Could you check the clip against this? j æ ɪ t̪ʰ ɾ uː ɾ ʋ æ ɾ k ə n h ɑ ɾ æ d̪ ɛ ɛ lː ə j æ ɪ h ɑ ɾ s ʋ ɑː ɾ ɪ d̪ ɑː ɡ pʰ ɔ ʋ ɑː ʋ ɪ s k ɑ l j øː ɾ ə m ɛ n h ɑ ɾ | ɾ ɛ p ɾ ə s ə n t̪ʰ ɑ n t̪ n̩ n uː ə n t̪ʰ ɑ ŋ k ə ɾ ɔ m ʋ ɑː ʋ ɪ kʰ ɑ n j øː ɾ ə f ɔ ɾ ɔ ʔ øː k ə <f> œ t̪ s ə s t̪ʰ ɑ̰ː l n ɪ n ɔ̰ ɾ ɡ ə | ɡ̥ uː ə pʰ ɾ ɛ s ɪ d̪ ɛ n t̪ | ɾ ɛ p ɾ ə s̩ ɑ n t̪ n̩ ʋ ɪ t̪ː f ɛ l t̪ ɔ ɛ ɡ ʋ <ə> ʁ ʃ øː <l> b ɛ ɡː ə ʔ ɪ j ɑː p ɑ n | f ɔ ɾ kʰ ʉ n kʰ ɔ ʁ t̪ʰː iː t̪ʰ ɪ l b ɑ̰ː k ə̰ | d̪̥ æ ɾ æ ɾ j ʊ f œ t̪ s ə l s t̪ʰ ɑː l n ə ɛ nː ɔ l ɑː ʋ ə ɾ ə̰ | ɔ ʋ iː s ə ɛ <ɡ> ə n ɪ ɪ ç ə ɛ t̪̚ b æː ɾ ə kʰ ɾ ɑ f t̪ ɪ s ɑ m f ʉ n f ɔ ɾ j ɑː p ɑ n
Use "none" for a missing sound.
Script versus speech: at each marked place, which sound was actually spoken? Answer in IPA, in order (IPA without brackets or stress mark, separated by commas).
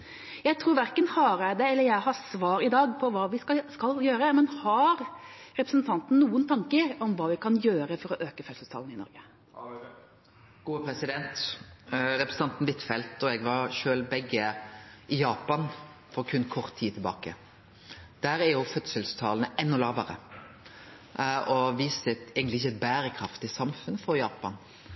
f, ɑ, l, ɡ